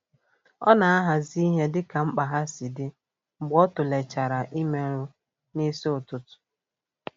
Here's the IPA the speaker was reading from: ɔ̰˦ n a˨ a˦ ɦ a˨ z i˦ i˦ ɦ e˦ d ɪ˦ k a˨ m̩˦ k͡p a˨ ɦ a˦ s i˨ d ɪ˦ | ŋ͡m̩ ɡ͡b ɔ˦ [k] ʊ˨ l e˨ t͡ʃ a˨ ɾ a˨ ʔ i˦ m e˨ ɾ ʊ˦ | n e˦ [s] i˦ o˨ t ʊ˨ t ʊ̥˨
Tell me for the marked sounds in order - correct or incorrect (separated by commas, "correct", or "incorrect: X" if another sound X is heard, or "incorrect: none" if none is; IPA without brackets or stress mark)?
incorrect: t, correct